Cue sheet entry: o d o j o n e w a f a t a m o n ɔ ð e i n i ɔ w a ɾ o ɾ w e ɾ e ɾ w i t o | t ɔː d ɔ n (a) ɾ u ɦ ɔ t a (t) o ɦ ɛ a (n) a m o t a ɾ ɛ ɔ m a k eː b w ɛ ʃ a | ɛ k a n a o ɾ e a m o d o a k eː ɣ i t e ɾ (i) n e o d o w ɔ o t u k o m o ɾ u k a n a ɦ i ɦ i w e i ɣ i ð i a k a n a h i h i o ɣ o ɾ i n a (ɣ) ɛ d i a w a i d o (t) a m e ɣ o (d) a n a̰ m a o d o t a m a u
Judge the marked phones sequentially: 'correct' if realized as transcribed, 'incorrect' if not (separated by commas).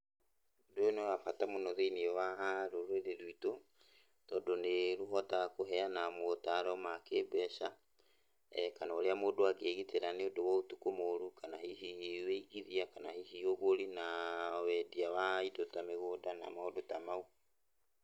incorrect, incorrect, correct, incorrect, incorrect, correct, correct